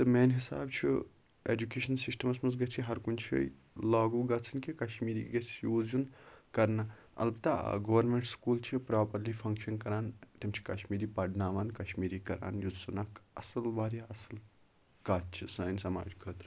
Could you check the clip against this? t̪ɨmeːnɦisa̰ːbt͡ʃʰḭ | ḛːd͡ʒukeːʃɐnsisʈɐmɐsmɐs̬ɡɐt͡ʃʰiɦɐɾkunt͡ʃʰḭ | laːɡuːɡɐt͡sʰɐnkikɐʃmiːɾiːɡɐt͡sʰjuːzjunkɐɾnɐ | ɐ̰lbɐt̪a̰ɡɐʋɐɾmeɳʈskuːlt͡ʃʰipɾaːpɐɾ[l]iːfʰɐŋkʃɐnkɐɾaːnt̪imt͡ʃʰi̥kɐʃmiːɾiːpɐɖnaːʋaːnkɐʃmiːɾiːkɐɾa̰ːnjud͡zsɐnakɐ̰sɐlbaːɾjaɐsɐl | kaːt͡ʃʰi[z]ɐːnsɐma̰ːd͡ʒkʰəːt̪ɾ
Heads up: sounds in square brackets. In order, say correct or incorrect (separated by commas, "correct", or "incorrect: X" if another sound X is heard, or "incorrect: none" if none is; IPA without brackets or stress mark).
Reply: correct, incorrect: s